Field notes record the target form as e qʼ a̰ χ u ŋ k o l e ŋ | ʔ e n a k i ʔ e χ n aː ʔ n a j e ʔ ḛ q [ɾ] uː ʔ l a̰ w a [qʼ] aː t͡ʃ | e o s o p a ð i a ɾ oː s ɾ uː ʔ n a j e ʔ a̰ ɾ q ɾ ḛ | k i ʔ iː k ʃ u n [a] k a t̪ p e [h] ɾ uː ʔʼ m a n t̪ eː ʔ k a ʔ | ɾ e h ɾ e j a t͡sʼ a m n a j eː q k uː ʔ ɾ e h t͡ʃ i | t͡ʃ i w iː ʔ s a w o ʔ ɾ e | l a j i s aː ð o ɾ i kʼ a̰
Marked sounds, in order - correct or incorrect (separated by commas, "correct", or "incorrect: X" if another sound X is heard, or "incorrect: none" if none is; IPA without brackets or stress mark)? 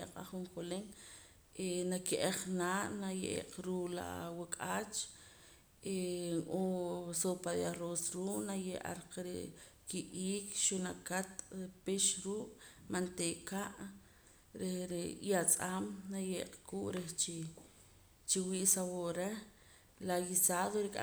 correct, incorrect: kʼ, correct, incorrect: ʃ